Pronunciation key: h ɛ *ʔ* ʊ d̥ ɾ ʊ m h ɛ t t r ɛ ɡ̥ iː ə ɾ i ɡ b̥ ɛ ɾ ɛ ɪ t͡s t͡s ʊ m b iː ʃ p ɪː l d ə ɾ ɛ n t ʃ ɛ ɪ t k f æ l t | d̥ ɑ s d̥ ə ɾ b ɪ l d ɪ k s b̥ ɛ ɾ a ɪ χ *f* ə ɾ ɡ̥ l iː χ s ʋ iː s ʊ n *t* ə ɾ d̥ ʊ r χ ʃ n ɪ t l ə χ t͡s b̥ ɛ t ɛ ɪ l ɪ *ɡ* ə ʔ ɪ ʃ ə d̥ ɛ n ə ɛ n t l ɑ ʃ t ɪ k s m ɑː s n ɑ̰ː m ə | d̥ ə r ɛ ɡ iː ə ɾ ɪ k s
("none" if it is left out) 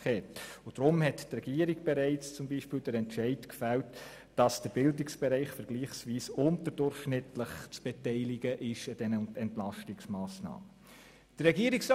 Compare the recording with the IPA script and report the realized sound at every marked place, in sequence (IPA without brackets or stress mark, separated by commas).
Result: t, f, t, ɡ